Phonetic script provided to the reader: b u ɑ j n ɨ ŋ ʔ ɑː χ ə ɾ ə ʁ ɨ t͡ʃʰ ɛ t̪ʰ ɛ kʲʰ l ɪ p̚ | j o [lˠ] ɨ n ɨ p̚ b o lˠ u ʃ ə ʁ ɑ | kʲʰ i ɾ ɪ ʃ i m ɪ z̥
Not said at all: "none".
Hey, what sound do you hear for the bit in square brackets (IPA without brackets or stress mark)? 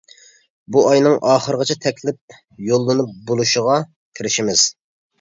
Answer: lˠː